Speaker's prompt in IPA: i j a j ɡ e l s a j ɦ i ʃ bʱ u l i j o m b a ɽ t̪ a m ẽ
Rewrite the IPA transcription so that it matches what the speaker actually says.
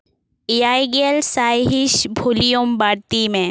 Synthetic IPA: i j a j ɡ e l s a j ɦ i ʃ bʱ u l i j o m b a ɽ t̪ i m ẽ